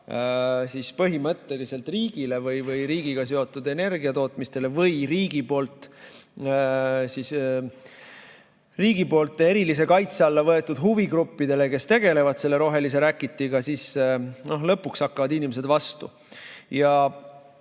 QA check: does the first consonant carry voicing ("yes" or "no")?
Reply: no